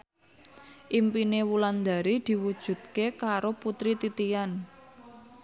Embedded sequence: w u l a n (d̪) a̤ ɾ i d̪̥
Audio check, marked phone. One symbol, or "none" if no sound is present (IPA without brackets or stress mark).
d̪